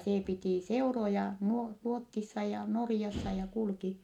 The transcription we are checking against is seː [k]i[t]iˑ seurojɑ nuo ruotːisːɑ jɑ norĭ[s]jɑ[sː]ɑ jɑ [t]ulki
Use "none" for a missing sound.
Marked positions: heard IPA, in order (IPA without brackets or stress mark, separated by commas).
p, t, none, sː, k